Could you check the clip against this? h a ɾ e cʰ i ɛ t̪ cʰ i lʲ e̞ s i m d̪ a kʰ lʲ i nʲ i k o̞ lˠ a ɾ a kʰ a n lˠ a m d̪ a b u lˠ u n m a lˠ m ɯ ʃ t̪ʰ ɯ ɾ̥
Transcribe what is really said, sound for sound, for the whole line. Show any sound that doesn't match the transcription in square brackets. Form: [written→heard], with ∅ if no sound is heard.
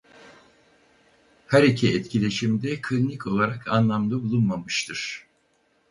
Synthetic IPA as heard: h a ɾ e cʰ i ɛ t̪ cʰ i lʲ e̞ [s→ʃ] i m d̪ [a→ɛ] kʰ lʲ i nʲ i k o̞ lˠ a ɾ a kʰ a n lˠ a m d̪ a b u lˠ u n m a [lˠ→∅] m ɯ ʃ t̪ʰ ɯ ɾ̥